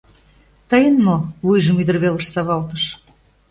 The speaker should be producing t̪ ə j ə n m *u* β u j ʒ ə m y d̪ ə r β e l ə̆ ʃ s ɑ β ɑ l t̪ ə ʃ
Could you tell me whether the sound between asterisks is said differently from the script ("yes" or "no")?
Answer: yes